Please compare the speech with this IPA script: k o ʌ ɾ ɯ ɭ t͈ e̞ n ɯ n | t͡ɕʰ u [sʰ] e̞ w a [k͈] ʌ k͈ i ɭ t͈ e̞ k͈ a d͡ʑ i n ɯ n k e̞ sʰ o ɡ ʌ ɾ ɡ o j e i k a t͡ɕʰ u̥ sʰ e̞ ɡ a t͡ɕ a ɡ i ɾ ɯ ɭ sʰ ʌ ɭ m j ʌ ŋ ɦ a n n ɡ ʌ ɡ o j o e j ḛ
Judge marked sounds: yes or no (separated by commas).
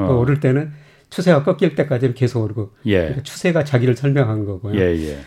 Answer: yes, yes